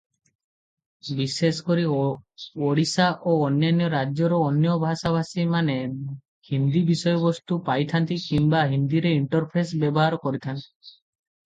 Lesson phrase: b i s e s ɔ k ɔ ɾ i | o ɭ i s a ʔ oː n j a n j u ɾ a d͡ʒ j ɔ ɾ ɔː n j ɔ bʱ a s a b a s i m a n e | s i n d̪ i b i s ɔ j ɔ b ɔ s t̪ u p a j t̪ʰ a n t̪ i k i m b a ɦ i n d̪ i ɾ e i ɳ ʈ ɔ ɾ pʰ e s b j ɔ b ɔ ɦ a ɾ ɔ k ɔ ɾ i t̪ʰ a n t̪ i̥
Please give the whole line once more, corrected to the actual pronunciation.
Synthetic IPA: b i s e s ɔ k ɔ ɾ i | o ɽ i s a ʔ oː n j a n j ɔ ɾ a d͡ʒ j ɔ ɾ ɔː n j ɔ bʱ a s a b a s i m a n e | h i n d̪ i b i s ɔ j ɔ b ɔ s t̪ u p a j t̪ʰ a n t̪ i k i m b a ɦ i n d̪ i ɾ e i ɳ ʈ ɔ ɾ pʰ e s b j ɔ b ɔ ɦ a ɾ ɔ k ɔ ɾ i t̪ʰ a n t̪ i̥